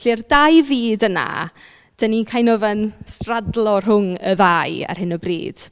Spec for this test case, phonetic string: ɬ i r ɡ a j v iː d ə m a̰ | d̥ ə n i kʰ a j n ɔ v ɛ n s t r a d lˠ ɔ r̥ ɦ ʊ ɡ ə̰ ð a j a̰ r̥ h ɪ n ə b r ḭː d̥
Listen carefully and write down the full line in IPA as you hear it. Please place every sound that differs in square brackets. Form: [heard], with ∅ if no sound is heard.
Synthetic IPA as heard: ɬ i r [d] a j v iː d ə [n] a̰ | d̥ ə n i kʰ a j n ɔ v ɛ n s t r a d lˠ ɔ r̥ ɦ ʊ [ŋ] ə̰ ð a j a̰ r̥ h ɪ n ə b r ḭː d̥